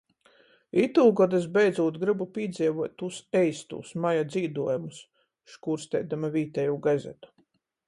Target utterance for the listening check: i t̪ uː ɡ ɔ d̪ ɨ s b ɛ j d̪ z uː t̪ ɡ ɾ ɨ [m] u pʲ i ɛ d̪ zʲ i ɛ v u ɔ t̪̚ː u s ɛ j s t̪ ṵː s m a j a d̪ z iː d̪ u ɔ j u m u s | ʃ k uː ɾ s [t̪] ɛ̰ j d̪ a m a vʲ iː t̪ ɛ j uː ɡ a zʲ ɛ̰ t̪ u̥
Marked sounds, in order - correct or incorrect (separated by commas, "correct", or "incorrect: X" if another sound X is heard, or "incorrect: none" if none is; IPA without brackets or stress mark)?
incorrect: b, correct